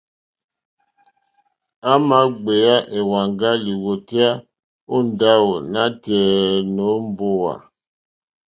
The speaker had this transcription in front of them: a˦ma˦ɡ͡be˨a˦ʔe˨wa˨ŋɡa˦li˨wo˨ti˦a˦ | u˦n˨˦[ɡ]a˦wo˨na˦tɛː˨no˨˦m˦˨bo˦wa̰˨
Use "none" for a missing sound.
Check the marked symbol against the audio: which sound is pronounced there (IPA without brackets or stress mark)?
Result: d